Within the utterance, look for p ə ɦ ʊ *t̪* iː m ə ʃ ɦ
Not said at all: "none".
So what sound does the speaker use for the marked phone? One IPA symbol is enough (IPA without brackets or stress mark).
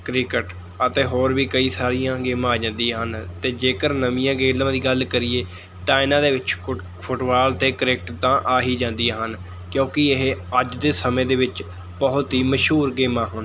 t̪